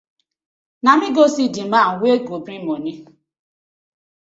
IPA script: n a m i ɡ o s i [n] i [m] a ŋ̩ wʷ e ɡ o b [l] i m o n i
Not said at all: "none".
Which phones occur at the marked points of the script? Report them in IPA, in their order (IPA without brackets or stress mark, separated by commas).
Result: d, m, ɾ